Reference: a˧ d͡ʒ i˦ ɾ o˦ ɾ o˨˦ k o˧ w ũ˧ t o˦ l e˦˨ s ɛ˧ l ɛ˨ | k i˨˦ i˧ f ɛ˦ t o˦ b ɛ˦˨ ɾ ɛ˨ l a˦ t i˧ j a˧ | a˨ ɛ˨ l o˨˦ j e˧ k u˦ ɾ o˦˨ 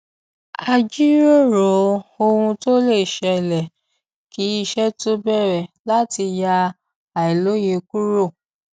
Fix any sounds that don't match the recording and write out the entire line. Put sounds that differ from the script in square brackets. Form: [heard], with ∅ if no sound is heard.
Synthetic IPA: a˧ d͡ʒ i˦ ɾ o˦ ɾ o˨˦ [∅] o˧ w ũ˧ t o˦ l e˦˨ [ʃ] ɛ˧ l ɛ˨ | k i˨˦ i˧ [ʃ] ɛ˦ t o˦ b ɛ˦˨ ɾ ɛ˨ l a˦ t i˧ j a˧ | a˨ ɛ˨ l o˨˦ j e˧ k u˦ ɾ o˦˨